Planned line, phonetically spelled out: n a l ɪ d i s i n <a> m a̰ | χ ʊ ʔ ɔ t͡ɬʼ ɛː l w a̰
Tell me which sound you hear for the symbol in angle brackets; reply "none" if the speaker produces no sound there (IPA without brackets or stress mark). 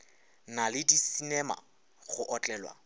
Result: ɛ